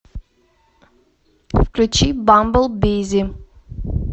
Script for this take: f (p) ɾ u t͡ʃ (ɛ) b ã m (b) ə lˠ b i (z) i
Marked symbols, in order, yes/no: no, no, yes, yes

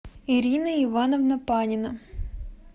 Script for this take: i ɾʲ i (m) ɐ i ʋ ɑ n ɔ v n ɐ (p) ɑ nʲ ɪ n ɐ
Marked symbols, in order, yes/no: no, yes

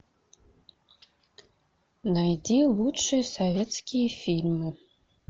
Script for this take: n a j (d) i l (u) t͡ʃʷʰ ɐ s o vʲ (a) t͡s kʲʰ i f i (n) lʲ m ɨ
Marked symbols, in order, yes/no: yes, yes, no, no

